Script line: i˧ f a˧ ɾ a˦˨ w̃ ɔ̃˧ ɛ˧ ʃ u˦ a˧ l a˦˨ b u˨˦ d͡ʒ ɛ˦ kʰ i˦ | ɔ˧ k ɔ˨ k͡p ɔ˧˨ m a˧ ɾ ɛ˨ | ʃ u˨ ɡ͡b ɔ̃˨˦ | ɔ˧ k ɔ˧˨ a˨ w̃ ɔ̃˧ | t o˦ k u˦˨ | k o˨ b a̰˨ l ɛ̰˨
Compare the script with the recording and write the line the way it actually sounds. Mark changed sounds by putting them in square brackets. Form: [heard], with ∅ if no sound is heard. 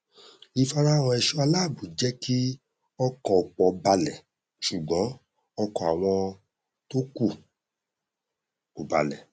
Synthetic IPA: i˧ f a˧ ɾ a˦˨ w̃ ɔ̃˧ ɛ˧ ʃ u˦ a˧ l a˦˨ b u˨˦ d͡ʒ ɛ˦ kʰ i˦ | ɔ˧ k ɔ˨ k͡p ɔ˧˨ [b] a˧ [l] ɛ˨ | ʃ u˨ ɡ͡b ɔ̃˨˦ | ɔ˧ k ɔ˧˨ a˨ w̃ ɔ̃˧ | t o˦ k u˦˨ | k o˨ b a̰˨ l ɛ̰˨